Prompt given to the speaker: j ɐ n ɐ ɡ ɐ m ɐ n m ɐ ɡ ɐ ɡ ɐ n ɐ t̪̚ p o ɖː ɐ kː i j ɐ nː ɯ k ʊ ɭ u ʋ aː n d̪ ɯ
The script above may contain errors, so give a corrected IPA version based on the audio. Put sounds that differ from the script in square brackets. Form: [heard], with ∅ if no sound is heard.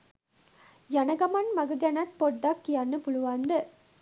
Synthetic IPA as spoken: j ɐ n ɐ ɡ ɐ m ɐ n m ɐ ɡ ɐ ɡ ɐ n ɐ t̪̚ p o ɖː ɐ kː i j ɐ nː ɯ [p] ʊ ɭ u ʋ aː n d̪ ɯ